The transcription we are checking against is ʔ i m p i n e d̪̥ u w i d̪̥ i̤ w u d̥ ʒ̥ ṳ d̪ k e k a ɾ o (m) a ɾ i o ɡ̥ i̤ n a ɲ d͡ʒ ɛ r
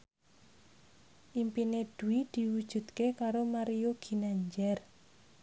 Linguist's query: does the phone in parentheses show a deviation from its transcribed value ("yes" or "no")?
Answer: no